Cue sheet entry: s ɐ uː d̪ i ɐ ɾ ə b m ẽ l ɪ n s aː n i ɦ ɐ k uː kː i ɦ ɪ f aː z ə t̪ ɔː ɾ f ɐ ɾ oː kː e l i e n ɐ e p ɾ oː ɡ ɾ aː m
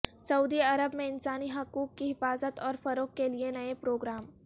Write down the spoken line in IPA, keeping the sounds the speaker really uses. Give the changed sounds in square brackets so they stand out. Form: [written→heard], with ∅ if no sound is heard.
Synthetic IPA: s ɐ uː d̪ i ɐ ɾ ə b m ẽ [l→∅] ɪ n s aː n i ɦ ɐ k uː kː i ɦ ɪ f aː z ə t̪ ɔː ɾ f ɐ ɾ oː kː e l i e n ɐ e p ɾ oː ɡ ɾ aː m